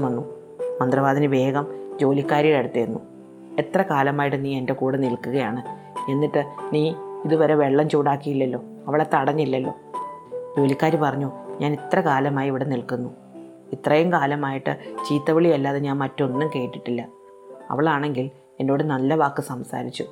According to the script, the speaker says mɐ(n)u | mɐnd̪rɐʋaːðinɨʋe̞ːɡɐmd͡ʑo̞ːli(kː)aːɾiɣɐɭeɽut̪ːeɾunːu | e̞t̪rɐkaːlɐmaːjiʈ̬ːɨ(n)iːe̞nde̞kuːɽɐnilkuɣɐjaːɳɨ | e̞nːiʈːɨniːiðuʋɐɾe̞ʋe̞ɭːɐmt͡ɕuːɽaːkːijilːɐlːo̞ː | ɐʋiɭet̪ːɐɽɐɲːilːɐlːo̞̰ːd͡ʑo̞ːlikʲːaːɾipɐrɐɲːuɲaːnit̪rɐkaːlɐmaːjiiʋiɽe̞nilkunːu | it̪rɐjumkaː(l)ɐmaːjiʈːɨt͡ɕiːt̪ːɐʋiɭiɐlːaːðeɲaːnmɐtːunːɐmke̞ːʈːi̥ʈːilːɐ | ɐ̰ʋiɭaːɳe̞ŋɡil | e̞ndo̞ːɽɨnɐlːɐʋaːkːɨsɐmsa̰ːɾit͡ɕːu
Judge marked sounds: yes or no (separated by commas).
no, yes, yes, yes